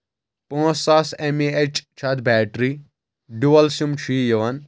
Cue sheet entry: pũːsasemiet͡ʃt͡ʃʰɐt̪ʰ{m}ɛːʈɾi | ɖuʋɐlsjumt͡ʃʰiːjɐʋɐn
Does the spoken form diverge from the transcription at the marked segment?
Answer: yes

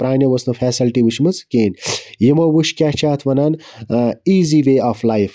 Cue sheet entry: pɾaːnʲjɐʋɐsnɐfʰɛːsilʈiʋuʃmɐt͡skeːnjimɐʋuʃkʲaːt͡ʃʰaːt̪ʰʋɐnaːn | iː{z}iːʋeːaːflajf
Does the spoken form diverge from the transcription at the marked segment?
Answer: no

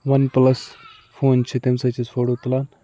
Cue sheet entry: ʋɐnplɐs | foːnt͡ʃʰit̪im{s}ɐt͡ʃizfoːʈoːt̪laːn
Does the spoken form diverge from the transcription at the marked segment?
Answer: no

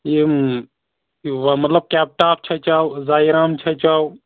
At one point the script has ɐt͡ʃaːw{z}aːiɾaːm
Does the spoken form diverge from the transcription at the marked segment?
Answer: no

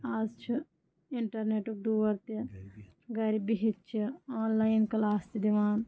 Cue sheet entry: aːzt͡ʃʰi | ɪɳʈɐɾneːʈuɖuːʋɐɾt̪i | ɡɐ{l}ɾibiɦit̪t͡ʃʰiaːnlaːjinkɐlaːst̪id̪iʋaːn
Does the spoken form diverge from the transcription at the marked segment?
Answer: yes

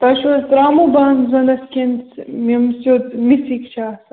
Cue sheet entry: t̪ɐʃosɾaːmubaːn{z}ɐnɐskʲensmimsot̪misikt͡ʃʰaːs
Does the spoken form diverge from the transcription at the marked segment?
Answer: no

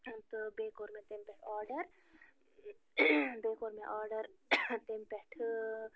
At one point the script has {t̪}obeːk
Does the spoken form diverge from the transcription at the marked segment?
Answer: no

